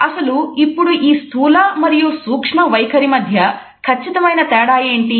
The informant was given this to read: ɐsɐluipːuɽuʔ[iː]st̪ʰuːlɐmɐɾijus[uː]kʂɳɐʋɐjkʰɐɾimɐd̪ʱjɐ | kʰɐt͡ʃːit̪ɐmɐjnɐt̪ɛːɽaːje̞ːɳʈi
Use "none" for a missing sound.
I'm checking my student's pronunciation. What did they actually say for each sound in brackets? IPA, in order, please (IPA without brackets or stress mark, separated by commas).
iː, uː